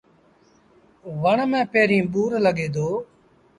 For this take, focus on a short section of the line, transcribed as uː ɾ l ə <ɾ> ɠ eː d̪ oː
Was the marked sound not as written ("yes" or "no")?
yes